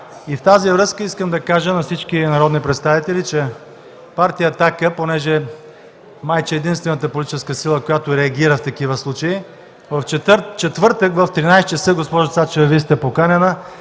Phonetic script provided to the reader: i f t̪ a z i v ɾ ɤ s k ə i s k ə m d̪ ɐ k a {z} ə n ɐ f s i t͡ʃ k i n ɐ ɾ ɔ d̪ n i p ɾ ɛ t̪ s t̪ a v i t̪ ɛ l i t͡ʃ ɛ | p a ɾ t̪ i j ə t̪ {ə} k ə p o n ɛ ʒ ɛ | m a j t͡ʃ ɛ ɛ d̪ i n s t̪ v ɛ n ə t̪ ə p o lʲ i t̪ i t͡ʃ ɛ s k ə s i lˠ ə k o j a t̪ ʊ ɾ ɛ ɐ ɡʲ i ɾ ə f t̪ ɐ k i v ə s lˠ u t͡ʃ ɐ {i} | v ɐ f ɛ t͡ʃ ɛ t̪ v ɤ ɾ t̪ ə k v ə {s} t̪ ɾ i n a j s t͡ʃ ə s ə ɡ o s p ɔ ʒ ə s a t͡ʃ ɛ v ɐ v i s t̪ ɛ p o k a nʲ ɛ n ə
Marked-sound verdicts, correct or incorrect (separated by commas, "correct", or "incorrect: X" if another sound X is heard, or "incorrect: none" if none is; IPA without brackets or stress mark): incorrect: ʒ, incorrect: a, correct, incorrect: f